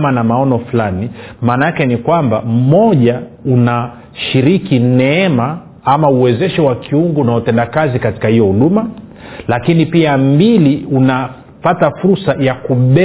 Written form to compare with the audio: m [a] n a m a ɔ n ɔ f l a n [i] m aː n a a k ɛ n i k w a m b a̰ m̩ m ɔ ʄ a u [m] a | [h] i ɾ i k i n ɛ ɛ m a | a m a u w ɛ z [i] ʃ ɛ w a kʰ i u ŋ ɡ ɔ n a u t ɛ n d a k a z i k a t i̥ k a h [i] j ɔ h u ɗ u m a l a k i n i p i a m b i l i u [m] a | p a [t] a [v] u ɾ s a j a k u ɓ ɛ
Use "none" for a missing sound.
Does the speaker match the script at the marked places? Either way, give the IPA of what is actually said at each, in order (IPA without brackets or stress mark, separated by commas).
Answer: a, i, n, ʃ, ɛ, i, n, t, f